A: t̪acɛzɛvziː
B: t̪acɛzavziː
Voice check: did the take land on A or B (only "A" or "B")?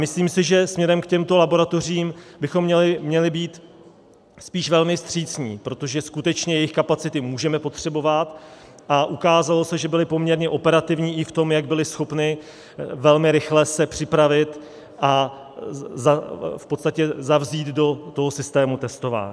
B